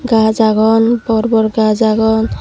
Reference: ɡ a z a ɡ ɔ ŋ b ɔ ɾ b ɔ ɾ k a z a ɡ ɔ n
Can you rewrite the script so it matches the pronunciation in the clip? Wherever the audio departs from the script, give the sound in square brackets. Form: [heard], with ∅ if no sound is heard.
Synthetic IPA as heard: ɡ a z a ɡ ɔ [n] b ɔ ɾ b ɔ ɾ [ɡ] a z a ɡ ɔ n